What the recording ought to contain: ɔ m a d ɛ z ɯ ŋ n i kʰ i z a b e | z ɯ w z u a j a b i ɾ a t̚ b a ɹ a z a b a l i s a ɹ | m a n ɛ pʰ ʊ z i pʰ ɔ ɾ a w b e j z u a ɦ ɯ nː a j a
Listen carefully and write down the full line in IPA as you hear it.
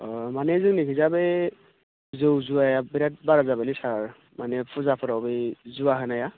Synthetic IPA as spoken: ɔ m a n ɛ z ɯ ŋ n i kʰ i z a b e | z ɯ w z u a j a b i ɾ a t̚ b a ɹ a z a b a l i s a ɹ | m a n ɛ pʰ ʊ z a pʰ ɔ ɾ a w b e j z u a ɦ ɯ n a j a